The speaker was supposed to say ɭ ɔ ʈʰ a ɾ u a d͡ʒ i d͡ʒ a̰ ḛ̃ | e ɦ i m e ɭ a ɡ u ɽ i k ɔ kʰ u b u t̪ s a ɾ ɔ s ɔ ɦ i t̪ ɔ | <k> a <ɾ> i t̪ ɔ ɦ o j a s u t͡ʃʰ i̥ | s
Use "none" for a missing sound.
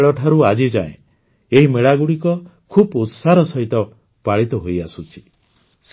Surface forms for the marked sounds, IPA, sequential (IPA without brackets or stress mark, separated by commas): p, ɭ